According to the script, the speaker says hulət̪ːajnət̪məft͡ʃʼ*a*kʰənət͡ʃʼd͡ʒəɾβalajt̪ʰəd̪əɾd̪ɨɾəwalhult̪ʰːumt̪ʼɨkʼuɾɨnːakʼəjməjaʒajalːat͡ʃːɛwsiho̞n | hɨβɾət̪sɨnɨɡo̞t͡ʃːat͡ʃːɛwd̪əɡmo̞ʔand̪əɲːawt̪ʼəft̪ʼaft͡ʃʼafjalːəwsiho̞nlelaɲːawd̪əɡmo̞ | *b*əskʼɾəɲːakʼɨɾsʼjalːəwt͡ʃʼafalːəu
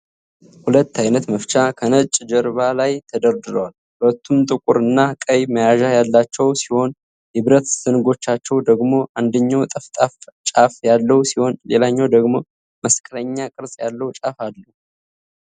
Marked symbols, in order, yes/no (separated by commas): yes, no